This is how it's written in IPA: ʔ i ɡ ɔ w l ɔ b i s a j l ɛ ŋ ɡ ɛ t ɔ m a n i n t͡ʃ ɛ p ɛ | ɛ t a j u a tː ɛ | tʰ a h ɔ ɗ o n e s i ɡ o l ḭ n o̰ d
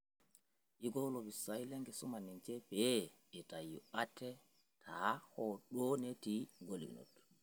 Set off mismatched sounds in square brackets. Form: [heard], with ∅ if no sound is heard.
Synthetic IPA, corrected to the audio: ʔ i ɡ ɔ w l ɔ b i s a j l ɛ ŋ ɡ ɛ [s] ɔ m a n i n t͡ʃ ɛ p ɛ | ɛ t a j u a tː ɛ | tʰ a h ɔ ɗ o n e [t] i ɡ o l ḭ n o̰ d